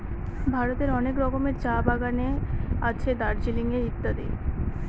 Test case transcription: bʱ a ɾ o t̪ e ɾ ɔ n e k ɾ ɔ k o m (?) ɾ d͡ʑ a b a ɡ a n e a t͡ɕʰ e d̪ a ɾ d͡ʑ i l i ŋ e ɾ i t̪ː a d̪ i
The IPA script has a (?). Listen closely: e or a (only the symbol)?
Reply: e